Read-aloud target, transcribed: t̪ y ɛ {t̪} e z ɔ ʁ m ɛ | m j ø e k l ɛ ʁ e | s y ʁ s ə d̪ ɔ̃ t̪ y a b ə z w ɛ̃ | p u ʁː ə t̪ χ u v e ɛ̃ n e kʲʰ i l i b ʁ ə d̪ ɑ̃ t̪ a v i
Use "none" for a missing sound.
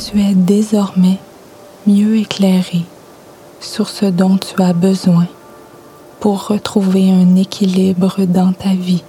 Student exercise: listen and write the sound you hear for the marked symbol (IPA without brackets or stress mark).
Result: d̪